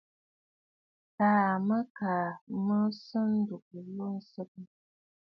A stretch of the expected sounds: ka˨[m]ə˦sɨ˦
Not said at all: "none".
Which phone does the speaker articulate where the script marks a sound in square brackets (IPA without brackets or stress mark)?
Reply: m